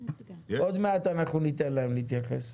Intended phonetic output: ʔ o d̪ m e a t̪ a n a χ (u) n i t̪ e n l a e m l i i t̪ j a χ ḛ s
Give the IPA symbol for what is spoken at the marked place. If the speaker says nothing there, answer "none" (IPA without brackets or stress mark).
u